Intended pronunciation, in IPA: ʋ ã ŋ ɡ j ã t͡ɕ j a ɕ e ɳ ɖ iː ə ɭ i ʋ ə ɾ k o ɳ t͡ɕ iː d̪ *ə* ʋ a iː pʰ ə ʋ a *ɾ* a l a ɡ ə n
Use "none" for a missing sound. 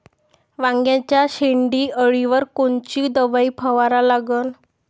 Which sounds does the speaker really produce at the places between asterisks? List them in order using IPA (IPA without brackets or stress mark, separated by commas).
ə, ɾ